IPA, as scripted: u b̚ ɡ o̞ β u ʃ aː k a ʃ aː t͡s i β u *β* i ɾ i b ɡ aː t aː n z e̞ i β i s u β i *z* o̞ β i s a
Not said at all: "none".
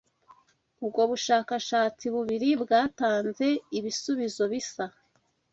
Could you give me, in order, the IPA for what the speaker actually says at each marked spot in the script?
β, z

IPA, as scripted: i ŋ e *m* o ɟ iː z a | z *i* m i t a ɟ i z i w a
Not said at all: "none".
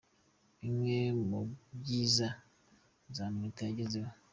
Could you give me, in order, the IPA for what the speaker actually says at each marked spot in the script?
m, a

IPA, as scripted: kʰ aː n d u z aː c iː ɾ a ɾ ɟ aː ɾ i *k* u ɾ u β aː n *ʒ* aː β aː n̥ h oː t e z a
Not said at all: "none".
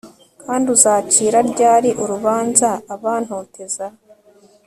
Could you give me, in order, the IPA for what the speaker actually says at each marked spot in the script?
ʔ, z

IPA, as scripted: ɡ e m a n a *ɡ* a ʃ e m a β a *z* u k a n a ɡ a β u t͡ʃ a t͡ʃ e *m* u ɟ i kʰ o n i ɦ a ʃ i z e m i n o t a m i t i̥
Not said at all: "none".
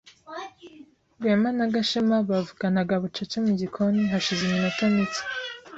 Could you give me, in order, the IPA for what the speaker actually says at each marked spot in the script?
ɡ, v, m

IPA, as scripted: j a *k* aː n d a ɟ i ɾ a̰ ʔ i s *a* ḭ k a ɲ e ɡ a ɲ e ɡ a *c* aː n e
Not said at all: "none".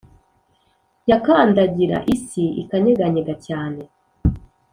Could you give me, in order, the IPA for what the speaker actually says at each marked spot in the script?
k, i, c

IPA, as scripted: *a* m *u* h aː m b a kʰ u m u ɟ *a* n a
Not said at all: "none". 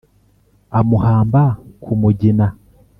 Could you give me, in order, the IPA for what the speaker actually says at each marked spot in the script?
a, u, i

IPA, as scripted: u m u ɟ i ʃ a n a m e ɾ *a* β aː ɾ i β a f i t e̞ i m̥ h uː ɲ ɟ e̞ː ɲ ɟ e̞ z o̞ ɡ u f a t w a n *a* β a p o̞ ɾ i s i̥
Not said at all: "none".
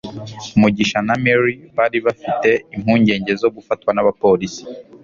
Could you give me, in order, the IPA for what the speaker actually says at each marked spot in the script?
i, a

